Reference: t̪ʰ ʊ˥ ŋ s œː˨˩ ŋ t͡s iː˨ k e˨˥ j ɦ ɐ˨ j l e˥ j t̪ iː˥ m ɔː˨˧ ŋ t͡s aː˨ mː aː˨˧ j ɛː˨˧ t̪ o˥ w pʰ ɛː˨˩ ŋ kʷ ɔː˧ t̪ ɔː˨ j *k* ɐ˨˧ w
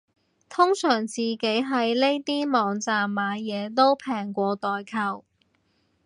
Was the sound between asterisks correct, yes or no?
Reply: no